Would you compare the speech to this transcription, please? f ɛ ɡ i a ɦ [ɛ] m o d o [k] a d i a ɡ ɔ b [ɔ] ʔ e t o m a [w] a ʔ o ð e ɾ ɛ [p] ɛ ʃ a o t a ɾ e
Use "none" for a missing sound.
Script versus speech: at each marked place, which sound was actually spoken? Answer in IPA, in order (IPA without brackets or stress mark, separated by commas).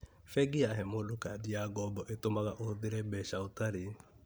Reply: ɛ, k, ɔ, ɣ, b